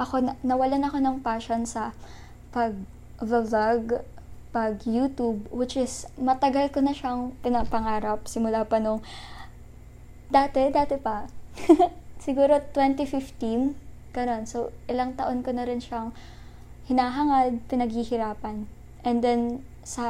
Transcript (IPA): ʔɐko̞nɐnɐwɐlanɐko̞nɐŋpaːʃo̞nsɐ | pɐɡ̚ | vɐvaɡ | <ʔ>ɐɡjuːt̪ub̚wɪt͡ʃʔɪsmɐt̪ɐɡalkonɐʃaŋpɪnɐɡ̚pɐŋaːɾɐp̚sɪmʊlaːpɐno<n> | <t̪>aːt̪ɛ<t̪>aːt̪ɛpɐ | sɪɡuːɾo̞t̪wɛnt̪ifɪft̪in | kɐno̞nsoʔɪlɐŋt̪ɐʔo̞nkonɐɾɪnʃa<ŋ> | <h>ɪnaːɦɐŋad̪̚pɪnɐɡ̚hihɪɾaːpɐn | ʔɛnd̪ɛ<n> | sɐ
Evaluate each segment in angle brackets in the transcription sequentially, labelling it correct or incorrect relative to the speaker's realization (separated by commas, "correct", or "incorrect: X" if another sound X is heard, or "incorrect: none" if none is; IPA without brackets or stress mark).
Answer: incorrect: p, incorrect: ŋ, incorrect: d̪, incorrect: d̪, correct, correct, correct